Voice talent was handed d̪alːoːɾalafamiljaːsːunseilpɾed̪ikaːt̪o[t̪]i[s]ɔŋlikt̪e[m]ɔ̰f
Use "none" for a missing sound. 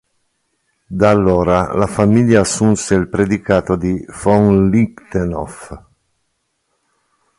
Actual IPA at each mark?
d̪, f, n

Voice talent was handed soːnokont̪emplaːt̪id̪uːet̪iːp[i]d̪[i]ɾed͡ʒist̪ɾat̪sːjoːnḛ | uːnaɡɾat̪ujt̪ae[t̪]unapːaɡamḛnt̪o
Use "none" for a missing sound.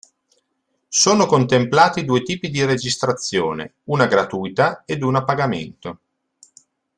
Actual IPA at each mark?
i, i, d̪

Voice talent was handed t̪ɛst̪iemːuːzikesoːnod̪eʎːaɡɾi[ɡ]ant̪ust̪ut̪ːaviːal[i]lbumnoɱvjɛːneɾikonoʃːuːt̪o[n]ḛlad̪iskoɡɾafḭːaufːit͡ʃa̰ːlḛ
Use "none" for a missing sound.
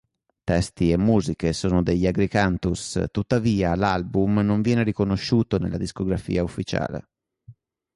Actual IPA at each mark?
k, a, n

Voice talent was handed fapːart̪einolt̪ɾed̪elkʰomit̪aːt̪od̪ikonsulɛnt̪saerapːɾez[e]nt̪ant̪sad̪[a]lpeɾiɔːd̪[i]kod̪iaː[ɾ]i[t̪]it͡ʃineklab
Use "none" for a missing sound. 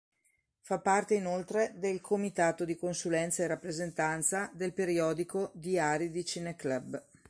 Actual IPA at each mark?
e, e, i, ɾ, d̪

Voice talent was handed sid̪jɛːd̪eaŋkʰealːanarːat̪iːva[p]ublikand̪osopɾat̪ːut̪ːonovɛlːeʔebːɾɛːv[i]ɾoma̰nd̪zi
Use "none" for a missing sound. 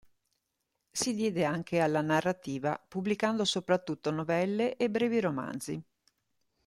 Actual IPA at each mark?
p, i

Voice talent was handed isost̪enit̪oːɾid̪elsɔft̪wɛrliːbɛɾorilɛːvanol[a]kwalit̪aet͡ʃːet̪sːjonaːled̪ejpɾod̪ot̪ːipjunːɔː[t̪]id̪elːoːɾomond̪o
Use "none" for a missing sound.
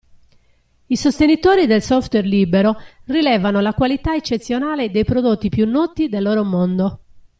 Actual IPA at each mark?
a, t̪

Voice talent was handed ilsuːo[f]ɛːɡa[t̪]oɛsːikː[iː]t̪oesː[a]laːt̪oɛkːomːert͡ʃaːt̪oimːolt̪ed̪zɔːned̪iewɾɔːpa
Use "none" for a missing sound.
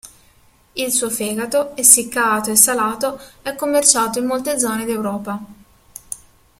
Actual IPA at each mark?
f, t̪, aː, a

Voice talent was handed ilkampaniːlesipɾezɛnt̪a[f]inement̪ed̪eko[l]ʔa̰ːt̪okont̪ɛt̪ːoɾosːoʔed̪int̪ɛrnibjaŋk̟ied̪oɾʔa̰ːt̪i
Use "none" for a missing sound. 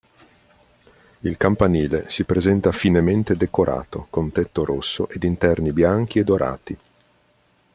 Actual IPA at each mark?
f, ɾ

